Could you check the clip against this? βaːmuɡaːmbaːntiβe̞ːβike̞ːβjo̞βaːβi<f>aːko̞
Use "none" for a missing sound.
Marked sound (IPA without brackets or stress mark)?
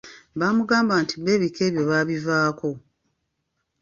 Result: v